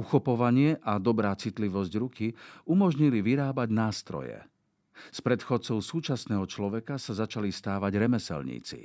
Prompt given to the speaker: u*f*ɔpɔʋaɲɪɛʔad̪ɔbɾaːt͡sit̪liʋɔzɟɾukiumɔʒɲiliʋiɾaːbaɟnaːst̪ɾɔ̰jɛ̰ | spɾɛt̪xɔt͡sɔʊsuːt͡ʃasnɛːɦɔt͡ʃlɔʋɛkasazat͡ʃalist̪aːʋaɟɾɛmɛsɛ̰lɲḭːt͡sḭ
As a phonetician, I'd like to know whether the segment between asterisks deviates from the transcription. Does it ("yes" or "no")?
yes